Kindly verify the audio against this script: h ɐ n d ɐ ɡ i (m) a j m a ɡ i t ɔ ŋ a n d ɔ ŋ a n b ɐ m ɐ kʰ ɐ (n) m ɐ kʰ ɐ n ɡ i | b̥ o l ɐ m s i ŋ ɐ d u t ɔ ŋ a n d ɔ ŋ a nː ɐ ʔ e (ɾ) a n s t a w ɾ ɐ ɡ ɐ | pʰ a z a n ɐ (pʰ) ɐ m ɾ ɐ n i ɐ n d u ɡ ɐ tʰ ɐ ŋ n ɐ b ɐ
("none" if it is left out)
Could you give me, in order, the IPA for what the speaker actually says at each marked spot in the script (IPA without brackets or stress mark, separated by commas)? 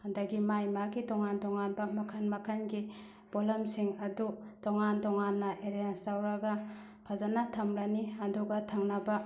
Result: m, n, ɾ, tʰ